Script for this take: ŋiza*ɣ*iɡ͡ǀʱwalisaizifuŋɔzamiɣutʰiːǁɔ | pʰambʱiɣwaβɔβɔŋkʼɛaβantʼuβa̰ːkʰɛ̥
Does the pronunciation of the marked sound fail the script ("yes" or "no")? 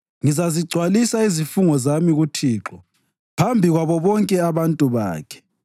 yes